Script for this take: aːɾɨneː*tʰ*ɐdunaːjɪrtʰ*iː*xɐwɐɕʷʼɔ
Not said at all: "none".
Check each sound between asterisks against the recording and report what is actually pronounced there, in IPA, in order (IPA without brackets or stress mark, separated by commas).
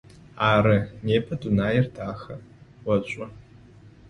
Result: pʰ, aː